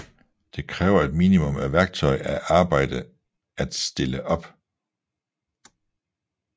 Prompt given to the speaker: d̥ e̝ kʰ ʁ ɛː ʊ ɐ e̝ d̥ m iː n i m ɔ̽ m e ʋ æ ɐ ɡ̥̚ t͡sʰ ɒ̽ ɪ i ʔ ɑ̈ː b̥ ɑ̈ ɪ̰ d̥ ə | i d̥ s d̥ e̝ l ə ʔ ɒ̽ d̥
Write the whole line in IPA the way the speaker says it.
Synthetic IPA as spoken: d̥ e̝ kʰ ʁ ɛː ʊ ɐ e̝ d̥ m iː n i m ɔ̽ m æ ʋ æ ɐ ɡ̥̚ t͡sʰ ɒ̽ ɪ æ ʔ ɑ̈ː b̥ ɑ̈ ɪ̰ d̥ ə | æ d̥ s d̥ e̝ l ə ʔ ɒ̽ b̥